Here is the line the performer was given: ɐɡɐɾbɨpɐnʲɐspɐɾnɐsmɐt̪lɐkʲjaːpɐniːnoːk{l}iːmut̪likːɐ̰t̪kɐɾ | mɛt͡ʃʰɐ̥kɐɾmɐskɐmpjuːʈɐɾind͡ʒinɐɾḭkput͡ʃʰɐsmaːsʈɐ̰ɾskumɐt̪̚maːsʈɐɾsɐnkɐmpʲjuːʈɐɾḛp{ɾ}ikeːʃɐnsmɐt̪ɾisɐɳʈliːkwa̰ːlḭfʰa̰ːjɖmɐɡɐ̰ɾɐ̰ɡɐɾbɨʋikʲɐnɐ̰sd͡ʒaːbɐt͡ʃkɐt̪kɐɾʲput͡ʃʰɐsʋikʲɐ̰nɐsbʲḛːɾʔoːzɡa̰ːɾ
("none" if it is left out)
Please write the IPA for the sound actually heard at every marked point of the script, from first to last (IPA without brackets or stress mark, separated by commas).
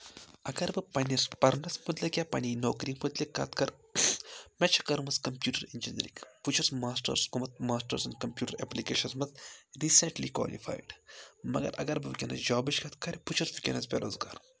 ɾ, l